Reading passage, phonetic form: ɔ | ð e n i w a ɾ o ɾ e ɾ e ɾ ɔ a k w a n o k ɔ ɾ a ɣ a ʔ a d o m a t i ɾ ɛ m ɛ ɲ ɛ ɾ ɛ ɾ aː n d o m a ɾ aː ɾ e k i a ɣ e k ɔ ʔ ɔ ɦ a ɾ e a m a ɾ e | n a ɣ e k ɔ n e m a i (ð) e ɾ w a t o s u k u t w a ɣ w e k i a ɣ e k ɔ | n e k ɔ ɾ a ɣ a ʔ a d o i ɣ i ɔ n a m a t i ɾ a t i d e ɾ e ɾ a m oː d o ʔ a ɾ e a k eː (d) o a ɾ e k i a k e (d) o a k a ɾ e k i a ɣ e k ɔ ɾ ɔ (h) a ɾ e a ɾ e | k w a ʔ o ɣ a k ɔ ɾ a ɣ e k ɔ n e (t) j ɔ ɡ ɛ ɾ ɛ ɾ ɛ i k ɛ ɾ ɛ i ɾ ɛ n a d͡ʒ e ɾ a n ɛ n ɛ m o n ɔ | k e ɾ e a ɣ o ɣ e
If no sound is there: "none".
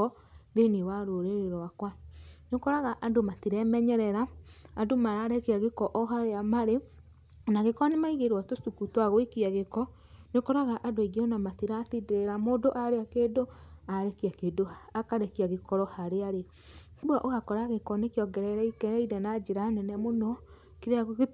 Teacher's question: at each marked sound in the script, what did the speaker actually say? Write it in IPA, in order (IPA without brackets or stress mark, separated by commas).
ɣ, d, d, h, k